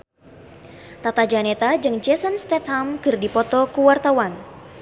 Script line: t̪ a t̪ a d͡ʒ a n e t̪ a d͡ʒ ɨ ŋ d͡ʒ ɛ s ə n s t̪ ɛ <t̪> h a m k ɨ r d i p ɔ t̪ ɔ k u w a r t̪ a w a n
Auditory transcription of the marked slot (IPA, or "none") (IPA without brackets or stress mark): t̪